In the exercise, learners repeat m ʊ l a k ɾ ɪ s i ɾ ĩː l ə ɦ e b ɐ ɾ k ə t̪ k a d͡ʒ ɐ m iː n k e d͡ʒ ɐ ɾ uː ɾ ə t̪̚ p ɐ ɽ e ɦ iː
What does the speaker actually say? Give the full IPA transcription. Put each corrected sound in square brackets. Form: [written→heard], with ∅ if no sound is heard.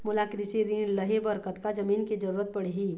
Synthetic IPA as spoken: m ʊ l a k ɾ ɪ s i ɾ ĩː l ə ɦ e b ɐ ɾ k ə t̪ k a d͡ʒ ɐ m iː n k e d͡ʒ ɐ ɾ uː ɾ ə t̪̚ p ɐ ɽ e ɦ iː

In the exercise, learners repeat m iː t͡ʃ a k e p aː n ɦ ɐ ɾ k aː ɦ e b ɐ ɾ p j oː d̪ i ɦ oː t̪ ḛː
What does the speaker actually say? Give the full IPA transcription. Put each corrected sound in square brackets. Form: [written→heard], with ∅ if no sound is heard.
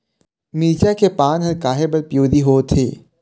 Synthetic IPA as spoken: m iː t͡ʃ a k e p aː n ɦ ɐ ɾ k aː ɦ e b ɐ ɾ p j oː d̪ i ɦ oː [t̪→t̪ʰ] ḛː

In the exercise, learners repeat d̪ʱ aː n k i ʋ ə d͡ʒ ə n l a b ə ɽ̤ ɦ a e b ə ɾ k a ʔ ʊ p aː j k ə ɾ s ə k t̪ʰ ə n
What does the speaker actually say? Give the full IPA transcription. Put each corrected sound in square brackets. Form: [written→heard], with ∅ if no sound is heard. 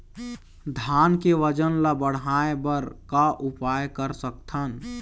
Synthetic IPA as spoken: d̪ʱ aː n k [i→e] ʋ ə d͡ʒ ə n l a b ə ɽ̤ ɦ a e b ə ɾ k a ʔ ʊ p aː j k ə ɾ s ə k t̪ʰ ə n

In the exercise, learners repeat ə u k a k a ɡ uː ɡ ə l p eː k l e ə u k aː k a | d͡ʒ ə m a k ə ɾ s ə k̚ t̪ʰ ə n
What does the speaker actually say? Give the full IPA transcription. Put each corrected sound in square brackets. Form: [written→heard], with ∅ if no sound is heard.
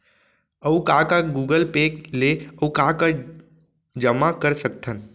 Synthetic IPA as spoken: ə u k a k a ɡ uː ɡ ə l p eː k l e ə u k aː k a | d͡ʒ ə m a k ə ɾ s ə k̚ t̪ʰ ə n

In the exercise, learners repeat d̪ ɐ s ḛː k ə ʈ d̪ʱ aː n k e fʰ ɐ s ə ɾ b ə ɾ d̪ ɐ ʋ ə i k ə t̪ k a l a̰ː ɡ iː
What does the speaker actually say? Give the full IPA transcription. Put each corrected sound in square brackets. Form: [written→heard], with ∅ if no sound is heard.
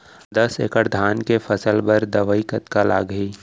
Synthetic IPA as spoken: d̪ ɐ s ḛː k ə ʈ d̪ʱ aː n k e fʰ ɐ s ə [ɾ→l] b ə ɾ d̪ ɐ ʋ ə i k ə t̪ k a l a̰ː ɡ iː

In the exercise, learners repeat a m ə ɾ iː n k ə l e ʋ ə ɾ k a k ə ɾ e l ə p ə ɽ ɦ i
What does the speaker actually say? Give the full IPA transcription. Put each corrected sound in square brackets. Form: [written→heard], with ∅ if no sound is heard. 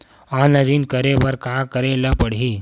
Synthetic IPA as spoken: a [m→n] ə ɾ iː n k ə [l→ɾ] e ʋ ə ɾ k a k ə ɾ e l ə p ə ɽ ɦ i

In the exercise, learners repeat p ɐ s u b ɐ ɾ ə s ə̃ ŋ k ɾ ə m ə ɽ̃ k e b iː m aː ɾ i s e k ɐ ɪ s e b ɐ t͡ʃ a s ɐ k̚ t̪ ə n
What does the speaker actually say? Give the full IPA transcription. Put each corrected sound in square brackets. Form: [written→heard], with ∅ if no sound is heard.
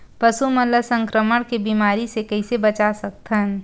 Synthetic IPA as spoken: p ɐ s u [b→m] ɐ [ɾ→l] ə s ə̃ ŋ k ɾ ə m ə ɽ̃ k e b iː m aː ɾ i s e k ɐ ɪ s e b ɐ t͡ʃ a s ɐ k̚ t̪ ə n

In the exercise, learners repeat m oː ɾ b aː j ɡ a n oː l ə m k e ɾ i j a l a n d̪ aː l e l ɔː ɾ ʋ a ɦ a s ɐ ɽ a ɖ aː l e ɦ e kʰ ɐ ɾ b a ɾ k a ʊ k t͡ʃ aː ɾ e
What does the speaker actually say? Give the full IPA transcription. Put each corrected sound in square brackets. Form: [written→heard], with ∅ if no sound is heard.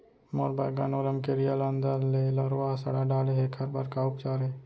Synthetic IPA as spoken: m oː ɾ b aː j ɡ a n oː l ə m k e ɾ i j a l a n d̪ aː l e l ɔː ɾ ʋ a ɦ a s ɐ ɽ a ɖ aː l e ɦ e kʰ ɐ ɾ b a ɾ k a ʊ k t͡ʃ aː ɾ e

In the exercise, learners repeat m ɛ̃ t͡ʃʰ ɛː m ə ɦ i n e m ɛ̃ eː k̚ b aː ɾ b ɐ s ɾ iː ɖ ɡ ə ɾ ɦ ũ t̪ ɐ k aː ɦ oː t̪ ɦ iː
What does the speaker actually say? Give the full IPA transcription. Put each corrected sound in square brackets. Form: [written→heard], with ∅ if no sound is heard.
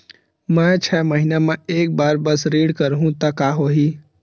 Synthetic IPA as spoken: m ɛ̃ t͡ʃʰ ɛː m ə ɦ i n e m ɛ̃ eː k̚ b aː ɾ b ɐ s ɾ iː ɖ [ɡ→k] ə ɾ ɦ ũ t̪ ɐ k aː ɦ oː [t̪→∅] ɦ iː

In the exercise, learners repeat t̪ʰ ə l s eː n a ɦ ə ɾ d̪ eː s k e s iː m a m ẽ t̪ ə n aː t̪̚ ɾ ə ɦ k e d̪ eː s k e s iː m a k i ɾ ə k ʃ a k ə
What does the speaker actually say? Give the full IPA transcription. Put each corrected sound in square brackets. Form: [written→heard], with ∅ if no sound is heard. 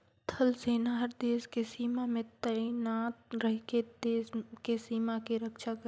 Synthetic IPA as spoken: t̪ʰ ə l s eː n a ɦ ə ɾ d̪ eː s k e s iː m a m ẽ t̪ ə n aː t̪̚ ɾ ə ɦ k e d̪ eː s k e s iː m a k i ɾ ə k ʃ a k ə

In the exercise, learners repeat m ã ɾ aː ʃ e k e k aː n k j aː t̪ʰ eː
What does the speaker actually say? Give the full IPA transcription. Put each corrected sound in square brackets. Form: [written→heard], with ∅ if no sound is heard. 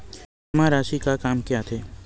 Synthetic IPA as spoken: m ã ɾ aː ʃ [e→i] k [e→a] k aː [n→m] k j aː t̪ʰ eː

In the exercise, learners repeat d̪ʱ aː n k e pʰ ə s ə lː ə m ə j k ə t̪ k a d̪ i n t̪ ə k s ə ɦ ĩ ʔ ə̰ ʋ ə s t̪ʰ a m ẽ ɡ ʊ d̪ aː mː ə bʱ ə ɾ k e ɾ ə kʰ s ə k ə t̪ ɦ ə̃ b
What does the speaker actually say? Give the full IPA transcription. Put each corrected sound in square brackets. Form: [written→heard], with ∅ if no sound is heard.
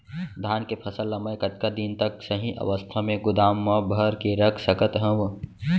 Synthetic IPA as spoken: d̪ʱ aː n k e pʰ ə s ə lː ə m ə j k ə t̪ k a d̪ i n t̪ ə k s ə ɦ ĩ ʔ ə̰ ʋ ə s t̪ʰ a m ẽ ɡ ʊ d̪ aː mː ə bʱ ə ɾ k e ɾ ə kʰ s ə k ə t̪ ɦ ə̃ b

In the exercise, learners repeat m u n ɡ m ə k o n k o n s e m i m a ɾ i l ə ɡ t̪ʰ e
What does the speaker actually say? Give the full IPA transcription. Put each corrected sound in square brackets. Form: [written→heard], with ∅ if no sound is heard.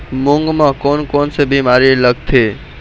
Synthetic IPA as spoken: m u [n→ŋ] ɡ m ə k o n k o n s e [m→b] i m a ɾ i l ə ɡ t̪ʰ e

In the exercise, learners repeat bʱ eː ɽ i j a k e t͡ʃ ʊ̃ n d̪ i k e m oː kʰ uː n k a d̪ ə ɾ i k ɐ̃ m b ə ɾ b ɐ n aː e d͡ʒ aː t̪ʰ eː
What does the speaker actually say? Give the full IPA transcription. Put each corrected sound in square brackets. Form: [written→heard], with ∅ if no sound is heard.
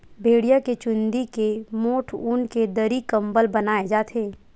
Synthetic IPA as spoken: bʱ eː ɽ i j a k e t͡ʃ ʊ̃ n d̪ i k e m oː [kʰ→ʈʰ] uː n k [a→e] d̪ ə ɾ i k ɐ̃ m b ə [ɾ→l] b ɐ n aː e d͡ʒ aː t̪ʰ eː

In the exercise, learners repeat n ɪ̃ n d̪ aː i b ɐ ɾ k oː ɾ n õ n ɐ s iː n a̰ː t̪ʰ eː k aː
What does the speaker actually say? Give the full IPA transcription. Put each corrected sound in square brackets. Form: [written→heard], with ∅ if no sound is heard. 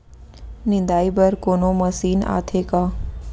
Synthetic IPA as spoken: n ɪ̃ n d̪ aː i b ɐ ɾ k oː [ɾ→∅] n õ [n→m] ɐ s iː n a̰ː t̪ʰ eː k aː

